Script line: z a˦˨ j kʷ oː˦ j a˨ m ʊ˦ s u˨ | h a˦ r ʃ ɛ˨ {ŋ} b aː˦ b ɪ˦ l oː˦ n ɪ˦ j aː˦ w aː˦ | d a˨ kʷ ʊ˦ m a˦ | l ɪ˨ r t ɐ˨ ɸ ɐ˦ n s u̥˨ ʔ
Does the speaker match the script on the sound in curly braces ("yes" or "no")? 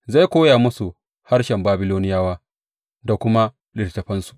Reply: no